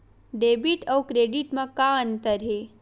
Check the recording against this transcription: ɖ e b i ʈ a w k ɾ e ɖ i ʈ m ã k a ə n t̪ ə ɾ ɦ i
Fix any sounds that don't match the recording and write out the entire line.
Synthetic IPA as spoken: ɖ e b i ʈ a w k ɾ e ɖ i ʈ m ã k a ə n t̪ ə ɾ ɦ e